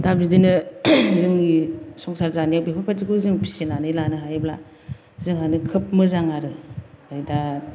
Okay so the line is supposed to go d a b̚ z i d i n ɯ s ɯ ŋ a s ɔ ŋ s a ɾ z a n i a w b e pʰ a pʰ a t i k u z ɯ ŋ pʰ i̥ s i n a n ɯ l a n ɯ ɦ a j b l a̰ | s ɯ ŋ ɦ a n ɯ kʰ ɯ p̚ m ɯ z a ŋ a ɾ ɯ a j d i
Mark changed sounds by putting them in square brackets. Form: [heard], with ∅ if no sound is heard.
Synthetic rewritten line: d a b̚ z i d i n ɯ [z] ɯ ŋ [i] s ɔ ŋ s a ɾ z a n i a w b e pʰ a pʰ a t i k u z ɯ ŋ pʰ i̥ s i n a n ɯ l a n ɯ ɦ a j b l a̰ | [z] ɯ ŋ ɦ a n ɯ kʰ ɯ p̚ m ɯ z a ŋ a ɾ ɯ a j d [a]